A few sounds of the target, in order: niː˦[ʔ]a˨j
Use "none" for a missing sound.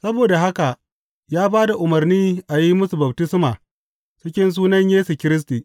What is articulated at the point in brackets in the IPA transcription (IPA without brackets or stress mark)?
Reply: ʔ